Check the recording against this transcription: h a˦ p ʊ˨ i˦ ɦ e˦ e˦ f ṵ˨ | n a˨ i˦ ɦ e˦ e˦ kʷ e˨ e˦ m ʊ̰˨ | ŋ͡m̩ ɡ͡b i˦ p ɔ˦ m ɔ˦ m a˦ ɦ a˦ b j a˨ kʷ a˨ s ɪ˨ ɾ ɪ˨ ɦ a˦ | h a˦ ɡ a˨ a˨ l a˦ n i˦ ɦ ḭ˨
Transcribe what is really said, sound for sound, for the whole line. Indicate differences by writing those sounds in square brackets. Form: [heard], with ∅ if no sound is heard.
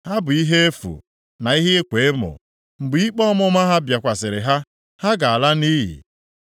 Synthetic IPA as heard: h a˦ [b] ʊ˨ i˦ ɦ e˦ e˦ f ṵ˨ | n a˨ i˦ ɦ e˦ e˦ kʷ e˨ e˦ m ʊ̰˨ | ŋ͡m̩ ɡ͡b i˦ [k͡p] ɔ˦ m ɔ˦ m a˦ ɦ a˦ b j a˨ kʷ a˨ s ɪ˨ ɾ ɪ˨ ɦ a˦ | h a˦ ɡ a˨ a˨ l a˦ n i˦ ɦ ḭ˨